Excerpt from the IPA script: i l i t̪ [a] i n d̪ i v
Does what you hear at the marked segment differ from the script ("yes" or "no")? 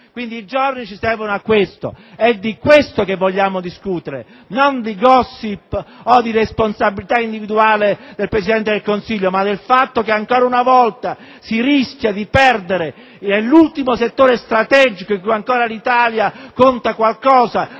no